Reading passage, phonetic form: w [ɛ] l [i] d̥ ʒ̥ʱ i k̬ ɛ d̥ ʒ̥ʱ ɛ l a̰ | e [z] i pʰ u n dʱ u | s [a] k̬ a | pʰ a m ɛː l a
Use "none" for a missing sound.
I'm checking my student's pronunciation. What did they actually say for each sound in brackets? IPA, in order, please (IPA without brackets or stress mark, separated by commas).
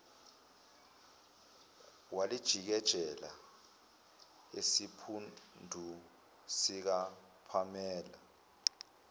a, i, s, i